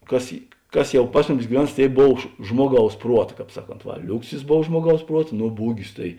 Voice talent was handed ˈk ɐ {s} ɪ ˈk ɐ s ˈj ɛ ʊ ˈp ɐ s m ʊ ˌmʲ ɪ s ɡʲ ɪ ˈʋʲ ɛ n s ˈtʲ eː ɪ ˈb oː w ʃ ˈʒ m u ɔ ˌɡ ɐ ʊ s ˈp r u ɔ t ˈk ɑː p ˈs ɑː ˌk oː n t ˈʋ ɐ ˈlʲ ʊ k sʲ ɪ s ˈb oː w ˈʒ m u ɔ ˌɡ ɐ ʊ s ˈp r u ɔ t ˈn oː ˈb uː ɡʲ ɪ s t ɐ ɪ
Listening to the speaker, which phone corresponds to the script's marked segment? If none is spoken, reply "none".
s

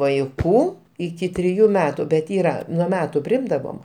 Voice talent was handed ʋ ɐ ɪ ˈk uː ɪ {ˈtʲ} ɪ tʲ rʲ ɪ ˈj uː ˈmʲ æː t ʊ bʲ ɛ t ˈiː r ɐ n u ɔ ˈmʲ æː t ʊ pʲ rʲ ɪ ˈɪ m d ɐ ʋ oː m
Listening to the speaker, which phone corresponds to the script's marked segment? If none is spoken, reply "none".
kʲ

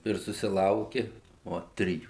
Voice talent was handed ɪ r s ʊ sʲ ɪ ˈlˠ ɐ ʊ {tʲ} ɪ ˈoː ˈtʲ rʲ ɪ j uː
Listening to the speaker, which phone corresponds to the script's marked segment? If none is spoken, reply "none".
kʲ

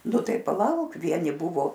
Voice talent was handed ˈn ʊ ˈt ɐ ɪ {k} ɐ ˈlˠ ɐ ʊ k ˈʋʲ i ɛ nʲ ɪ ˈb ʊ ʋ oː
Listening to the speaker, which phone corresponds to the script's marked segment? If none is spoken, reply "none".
p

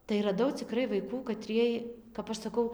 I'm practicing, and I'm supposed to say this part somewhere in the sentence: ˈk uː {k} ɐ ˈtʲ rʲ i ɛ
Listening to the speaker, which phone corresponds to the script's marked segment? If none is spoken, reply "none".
k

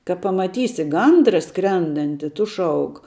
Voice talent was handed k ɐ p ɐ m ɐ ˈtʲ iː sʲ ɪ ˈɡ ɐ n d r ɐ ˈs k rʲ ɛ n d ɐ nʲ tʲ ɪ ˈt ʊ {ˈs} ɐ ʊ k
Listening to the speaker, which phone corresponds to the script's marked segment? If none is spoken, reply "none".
ʃ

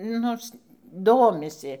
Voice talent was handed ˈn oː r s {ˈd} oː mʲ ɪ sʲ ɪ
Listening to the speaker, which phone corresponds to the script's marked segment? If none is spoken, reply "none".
d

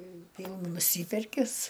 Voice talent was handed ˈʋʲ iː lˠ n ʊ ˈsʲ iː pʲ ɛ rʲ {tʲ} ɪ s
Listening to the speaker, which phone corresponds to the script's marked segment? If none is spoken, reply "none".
kʲ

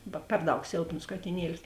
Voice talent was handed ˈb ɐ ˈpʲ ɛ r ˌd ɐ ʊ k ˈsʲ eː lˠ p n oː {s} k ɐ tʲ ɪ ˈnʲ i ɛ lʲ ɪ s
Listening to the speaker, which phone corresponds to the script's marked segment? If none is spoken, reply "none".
s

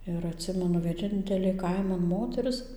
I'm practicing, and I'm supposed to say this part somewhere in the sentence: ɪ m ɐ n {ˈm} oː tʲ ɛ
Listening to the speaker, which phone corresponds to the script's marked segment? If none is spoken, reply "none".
m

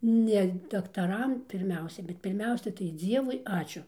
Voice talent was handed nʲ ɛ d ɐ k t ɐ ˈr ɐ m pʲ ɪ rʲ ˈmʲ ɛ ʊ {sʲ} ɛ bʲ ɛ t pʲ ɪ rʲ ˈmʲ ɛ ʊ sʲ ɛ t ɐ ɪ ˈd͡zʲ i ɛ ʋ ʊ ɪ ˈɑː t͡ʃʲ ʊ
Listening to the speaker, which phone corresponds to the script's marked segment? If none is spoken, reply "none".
sʲ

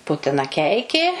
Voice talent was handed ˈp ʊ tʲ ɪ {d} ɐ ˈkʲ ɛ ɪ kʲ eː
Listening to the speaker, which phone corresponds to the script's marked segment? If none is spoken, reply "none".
n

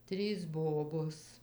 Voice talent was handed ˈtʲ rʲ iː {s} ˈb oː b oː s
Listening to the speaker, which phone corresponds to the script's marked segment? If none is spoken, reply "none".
s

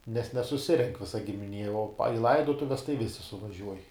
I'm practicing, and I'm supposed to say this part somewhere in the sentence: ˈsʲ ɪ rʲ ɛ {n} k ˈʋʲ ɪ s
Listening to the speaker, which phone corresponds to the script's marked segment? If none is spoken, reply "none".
ŋ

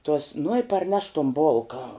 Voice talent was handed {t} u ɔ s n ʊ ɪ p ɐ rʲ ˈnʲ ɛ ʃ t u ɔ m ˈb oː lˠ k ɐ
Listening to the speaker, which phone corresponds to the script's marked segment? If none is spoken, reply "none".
t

